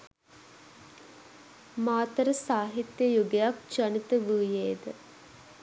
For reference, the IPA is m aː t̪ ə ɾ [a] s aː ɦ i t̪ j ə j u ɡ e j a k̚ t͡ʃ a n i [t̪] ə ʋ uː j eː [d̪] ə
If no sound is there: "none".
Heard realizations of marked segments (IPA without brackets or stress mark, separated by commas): ə, t̪, d̪